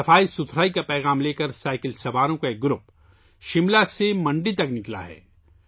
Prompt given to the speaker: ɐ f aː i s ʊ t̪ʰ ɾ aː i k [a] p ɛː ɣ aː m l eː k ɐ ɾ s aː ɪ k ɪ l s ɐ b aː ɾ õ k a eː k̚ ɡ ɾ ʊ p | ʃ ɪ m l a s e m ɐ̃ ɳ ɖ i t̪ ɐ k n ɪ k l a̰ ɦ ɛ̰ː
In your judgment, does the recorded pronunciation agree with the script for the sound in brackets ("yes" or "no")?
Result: yes